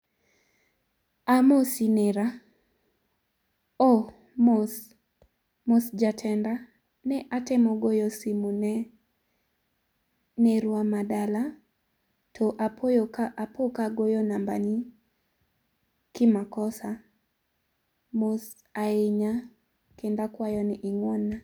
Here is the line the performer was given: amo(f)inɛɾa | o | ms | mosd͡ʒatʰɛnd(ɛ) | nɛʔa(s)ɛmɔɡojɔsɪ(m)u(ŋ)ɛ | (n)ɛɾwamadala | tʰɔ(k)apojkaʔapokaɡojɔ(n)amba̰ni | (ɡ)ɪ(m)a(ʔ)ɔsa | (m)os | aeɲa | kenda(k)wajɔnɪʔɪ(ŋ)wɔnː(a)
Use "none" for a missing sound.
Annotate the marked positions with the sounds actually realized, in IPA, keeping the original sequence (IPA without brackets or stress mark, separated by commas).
s, a, t, m, n, n, ʔ, n, k, m, k, m, k, ŋ, a